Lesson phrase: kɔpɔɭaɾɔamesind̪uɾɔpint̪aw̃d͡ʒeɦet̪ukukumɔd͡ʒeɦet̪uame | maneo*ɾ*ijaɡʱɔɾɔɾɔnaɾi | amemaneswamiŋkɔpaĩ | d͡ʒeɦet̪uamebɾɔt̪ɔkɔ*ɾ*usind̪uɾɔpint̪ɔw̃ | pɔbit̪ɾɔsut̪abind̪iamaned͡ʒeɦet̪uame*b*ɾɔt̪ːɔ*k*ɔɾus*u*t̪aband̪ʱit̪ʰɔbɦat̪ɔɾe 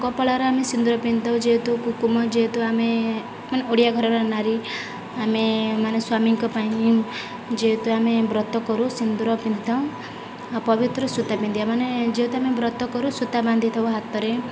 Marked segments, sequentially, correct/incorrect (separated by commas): incorrect, correct, correct, correct, correct